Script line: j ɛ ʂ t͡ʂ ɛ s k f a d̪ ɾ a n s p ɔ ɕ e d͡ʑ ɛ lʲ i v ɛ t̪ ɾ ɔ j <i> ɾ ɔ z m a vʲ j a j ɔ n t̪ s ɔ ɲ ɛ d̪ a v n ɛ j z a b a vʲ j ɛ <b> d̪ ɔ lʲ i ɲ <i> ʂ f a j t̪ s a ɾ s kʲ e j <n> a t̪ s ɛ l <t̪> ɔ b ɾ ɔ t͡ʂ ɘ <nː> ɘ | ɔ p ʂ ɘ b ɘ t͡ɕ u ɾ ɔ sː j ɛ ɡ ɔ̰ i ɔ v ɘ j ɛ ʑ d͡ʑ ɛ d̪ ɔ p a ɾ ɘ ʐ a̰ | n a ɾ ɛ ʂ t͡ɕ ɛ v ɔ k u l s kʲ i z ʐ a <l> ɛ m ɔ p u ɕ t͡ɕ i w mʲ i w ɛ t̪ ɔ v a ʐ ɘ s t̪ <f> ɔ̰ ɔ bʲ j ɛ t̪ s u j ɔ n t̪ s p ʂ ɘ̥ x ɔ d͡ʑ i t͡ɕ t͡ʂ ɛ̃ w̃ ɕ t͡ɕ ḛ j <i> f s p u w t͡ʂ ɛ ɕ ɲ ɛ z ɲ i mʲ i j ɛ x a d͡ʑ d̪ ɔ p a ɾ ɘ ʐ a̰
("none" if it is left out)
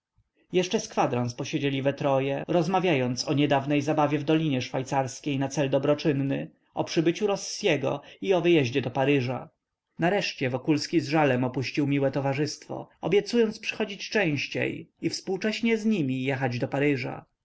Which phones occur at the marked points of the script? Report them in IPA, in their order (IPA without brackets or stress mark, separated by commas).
ɛ, v, ɛ, n, d̪, nː, l, f, i